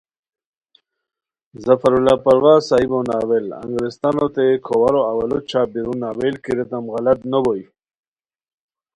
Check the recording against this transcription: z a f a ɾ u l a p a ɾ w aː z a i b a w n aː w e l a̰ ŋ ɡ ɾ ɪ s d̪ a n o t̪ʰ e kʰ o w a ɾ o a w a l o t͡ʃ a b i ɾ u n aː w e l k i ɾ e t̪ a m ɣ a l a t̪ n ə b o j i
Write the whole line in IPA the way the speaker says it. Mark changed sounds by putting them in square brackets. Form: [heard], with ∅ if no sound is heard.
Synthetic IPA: z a f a ɾ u l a p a ɾ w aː [s] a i b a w n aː w e l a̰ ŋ ɡ ɾ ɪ s [t̪] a n o [t̪] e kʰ o w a ɾ o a w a l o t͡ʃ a b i ɾ u n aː w e l k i ɾ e t̪ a m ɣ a l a t̪ n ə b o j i